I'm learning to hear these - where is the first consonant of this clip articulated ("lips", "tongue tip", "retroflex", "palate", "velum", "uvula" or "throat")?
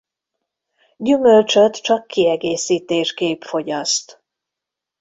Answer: palate